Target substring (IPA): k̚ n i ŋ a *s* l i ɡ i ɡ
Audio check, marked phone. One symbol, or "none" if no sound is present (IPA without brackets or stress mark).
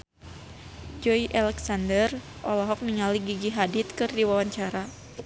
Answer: none